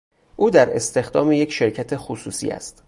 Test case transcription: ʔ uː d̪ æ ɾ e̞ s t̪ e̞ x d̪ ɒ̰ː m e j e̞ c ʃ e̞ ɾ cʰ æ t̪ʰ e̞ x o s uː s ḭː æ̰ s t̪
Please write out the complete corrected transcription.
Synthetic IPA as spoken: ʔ uː d̪ æ ɾ e̞ s t̪ e̞ x d̪ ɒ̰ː m e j e̞ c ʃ e̞ ɾ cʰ æ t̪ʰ e̞ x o s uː s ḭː æ̰ s t̪